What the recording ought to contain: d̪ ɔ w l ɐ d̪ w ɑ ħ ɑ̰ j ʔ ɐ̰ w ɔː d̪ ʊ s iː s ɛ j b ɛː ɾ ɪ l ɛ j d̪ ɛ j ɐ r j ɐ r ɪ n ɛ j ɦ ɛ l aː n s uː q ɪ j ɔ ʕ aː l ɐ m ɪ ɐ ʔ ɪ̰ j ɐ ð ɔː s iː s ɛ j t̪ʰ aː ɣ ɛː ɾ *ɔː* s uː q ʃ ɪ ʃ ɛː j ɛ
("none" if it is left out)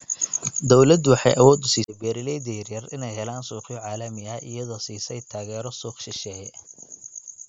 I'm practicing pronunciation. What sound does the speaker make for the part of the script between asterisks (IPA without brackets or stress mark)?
ɔ